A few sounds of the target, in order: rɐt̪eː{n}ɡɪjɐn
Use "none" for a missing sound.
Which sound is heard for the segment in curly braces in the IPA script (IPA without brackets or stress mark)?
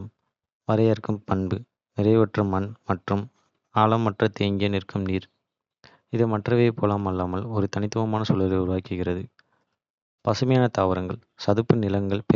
ŋ